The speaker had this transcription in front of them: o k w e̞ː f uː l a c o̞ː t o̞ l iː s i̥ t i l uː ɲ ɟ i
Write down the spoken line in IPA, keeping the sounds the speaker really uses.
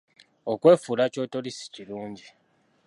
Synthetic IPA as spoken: o k w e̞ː f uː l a c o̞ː t o̞ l i s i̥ c i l uː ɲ ɟ i